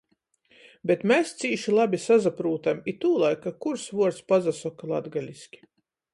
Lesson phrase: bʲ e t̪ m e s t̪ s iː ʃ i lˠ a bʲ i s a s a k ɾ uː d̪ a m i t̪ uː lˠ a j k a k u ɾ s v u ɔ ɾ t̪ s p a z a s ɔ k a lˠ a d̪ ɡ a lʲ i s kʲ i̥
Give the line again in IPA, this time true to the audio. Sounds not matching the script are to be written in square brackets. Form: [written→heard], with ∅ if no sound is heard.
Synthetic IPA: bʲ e t̪ m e s t̪ s iː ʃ i lˠ a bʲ i s a [s→z] a [k→p] ɾ uː [d̪→t̪] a m i t̪ uː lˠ a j k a k u ɾ s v u ɔ ɾ t̪ s p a z a s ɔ k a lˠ a d̪ ɡ a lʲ i s kʲ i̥